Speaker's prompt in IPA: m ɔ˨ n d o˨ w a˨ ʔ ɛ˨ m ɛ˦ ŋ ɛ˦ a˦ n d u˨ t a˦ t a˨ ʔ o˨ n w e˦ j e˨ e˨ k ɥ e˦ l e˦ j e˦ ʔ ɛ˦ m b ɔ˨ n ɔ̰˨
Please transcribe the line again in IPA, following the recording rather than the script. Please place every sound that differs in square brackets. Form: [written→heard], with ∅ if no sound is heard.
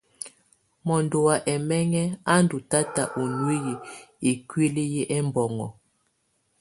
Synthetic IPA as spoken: m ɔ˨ n d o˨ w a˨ ʔ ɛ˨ m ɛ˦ ŋ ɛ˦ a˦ n d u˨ t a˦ t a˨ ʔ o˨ n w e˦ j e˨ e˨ k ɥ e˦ l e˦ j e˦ ʔ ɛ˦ m b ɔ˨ [n→ŋ] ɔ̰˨